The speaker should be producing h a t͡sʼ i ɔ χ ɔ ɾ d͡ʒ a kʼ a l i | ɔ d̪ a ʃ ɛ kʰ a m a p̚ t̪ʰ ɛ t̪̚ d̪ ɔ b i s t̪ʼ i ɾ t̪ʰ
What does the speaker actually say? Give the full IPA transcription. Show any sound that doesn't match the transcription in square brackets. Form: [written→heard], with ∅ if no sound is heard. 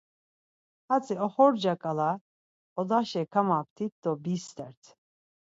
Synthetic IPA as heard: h a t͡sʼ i ɔ χ ɔ ɾ d͡ʒ a kʼ a l [i→a] | ɔ d̪ a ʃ ɛ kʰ a m a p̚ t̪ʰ [ɛ→i] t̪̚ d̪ ɔ b i s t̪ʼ [i→ɛ] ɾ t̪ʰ